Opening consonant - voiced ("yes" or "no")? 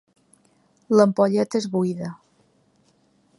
yes